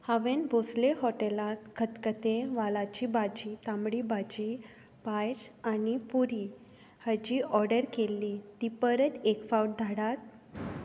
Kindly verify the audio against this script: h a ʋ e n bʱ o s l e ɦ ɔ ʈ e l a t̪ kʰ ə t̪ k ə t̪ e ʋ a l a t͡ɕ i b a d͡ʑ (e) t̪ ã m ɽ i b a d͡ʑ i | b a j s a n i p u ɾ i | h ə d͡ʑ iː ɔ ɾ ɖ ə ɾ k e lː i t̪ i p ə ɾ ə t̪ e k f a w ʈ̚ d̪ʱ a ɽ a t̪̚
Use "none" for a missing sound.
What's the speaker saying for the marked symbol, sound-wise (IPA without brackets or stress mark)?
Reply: i